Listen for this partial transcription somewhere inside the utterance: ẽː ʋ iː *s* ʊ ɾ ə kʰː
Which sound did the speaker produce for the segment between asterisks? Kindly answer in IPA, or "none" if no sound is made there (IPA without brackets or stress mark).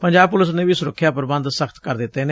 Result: s